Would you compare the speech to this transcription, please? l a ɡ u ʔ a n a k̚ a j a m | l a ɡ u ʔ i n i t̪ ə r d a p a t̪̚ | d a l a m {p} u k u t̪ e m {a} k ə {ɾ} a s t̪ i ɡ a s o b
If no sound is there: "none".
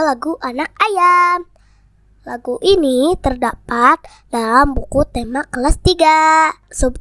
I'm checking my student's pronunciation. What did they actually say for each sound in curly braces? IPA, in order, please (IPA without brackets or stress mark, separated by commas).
b, a, l